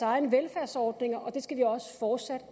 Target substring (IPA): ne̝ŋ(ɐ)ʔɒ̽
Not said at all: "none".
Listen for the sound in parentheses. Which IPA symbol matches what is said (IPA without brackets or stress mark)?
ɐ